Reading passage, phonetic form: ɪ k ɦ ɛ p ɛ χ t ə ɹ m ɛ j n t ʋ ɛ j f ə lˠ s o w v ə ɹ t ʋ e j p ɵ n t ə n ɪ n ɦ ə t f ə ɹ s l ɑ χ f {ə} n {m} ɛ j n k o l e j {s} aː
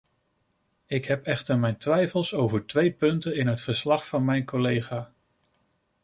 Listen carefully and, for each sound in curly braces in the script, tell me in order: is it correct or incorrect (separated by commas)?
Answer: incorrect, correct, incorrect